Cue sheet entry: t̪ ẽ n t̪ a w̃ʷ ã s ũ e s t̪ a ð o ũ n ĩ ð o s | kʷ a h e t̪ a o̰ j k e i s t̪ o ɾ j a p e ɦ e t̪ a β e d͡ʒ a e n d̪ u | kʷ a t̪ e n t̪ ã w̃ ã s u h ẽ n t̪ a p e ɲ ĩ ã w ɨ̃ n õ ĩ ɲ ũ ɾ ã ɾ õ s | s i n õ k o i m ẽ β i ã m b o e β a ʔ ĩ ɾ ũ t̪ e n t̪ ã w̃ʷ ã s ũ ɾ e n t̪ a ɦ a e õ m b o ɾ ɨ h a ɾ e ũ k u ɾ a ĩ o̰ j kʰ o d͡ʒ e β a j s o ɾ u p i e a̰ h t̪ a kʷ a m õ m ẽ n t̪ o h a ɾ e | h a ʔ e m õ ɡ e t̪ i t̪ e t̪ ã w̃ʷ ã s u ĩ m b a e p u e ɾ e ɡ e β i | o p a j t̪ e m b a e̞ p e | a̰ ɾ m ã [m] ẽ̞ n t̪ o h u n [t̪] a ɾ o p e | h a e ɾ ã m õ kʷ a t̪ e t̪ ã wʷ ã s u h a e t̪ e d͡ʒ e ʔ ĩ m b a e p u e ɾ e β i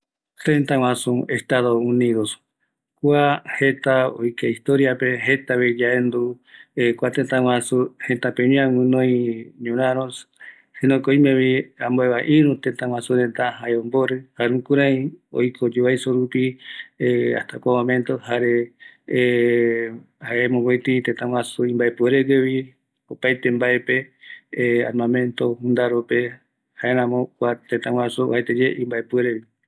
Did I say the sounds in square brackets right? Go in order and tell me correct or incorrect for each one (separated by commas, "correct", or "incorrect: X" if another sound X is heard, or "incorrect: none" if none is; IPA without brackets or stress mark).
correct, incorrect: d̪